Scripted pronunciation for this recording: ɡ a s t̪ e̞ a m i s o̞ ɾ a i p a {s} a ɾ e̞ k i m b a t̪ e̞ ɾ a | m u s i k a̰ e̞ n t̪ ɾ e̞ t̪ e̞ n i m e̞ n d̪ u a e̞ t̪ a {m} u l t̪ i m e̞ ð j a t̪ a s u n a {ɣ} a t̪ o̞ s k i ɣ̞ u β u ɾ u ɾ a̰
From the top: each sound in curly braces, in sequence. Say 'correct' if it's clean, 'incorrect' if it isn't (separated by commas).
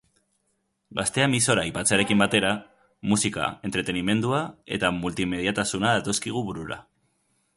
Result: incorrect, correct, incorrect